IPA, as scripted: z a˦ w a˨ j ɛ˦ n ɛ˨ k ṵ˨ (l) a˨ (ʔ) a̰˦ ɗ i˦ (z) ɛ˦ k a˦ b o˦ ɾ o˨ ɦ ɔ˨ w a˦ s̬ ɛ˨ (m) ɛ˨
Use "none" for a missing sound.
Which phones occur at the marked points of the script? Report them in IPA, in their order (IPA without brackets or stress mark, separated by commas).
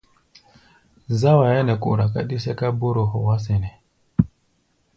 ɾ, k, s, n